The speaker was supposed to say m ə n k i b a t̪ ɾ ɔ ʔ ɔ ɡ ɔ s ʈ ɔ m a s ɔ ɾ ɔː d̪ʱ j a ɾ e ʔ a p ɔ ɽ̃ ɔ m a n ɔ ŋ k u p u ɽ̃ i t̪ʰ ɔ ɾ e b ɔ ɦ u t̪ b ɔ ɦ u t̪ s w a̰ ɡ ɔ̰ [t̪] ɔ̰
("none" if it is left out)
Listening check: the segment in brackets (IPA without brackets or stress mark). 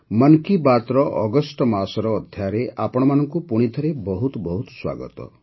t̪